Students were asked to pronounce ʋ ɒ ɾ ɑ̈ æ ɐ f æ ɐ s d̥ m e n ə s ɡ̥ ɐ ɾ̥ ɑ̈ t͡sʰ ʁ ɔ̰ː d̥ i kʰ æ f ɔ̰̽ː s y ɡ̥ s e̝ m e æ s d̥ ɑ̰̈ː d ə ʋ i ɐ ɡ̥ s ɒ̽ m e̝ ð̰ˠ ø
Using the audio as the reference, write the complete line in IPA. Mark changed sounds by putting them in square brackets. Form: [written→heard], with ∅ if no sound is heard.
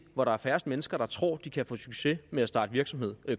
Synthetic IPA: ʋ ɒ ɾ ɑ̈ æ ɐ f æ ɐ s d̥ m e n ə s ɡ̥ ɐ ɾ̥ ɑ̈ t͡sʰ ʁ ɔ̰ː d̥ i kʰ æ f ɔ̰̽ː s y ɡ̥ s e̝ m e æ s d̥ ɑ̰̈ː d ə ʋ i ɐ ɡ̥ s ɒ̽ m e̝ ð̰ˠ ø